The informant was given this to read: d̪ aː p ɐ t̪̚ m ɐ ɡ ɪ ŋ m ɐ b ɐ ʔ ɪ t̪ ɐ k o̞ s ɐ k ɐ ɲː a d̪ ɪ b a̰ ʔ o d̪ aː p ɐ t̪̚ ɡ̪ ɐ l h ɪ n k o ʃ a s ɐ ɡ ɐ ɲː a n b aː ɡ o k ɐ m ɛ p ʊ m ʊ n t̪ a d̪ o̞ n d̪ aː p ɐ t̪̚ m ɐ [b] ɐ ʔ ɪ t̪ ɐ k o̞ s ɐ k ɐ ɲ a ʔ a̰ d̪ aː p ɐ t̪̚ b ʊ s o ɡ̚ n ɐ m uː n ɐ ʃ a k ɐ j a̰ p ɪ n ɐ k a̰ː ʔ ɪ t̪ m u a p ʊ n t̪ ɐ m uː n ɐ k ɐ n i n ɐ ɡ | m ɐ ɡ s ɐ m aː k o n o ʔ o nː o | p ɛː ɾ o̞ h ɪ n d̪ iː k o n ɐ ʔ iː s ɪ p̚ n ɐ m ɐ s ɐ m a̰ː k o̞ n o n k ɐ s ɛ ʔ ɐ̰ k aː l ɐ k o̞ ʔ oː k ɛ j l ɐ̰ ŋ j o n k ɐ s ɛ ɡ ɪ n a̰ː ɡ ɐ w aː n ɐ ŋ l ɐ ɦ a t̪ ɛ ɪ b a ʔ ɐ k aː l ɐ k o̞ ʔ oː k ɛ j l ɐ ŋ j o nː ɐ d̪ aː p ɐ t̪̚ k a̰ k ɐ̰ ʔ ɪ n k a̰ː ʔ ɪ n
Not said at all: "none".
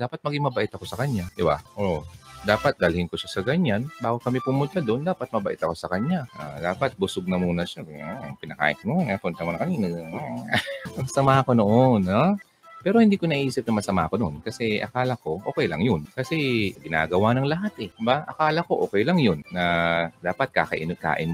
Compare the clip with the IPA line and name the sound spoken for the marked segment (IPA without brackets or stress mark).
b